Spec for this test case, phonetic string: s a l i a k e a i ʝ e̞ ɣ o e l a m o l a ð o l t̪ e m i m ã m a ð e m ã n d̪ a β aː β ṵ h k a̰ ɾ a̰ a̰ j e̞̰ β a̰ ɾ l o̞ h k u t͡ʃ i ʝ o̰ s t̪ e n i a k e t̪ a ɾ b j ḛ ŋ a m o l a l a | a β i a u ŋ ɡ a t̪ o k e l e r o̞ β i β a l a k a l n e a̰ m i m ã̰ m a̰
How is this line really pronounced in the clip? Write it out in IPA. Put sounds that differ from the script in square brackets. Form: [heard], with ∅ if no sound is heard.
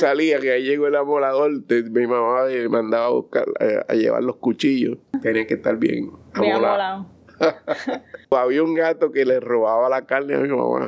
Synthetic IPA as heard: s a l i a k e a i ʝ e̞ ɣ o e l a m o l a ð o l t̪ e m i m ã m a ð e m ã n d̪ a β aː β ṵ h k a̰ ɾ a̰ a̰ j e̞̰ β a̰ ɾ l o̞ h k u t͡ʃ i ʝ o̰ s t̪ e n i a k e t̪ a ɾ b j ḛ ŋ a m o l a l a | a β i a u ŋ ɡ a t̪ o k e l e r o̞ β [a] β a l a k a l n e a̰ m i m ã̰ m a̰